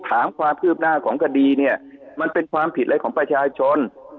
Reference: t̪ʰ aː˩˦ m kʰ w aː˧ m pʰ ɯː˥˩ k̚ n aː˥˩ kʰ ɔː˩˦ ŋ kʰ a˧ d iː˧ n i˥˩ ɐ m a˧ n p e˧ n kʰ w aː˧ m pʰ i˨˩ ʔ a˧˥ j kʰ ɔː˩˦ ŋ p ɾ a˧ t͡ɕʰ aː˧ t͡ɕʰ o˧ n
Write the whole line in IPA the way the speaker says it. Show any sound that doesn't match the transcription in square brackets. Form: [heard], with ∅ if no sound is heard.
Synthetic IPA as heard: t̪ʰ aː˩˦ m kʰ w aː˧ m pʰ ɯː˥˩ [p̚] n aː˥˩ kʰ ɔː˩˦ ŋ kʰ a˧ d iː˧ n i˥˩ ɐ m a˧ n p e˧ n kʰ w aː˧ m pʰ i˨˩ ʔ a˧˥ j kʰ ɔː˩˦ ŋ p ɾ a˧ t͡ɕʰ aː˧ t͡ɕʰ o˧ n